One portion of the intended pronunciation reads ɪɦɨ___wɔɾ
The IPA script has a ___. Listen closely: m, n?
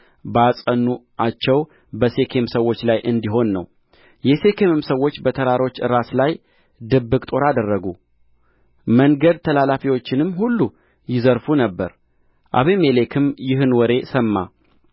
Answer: n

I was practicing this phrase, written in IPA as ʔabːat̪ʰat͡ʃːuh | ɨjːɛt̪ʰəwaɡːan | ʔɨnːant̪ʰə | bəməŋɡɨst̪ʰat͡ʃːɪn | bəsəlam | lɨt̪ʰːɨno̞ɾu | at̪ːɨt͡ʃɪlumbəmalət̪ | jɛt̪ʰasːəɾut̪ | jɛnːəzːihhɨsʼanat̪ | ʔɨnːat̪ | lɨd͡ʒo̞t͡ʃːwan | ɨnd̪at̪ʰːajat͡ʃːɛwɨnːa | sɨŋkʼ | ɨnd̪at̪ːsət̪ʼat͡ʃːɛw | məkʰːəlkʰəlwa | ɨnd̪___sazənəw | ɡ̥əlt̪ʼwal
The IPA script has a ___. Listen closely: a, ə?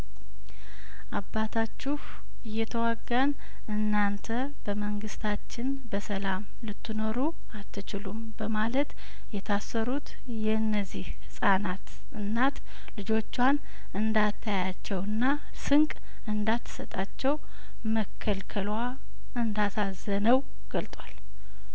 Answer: a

